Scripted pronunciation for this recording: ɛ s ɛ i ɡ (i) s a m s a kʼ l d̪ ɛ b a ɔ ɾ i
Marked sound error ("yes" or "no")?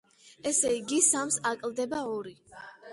no